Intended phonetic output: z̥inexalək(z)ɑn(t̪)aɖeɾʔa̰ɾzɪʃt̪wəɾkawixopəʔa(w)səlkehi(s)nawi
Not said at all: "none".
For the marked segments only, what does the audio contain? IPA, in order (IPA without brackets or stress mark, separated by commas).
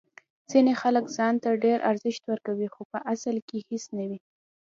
z, t̪, none, s